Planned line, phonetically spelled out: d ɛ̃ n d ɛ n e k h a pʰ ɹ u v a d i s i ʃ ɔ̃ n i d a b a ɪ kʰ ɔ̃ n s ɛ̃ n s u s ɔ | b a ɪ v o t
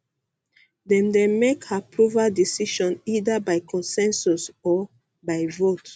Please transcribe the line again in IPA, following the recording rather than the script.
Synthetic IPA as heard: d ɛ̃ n d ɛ m e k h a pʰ ɹ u v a d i s i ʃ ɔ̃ n i d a b a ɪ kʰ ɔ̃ n s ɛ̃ n s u s ɔ | b a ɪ v o t